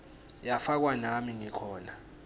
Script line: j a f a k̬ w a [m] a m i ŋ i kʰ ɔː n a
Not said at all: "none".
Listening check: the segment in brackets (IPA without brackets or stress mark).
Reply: n